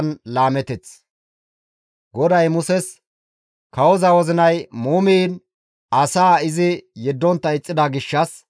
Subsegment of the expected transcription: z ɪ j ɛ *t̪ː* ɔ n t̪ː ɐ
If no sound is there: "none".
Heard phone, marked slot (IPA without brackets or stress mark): d̪ː